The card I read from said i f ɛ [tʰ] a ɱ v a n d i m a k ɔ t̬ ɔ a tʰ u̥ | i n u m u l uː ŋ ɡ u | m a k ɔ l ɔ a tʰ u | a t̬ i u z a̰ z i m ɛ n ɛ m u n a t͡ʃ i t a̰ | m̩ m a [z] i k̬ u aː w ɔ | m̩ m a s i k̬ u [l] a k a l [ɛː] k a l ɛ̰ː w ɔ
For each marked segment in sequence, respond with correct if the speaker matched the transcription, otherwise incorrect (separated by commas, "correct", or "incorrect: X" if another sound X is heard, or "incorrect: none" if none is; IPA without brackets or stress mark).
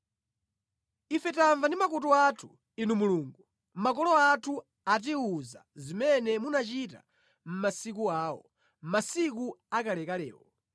incorrect: t, incorrect: s, incorrect: none, incorrect: ɛ